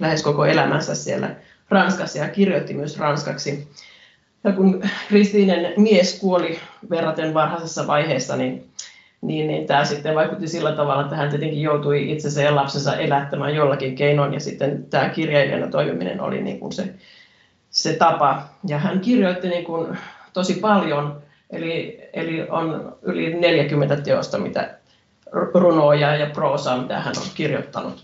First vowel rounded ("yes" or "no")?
no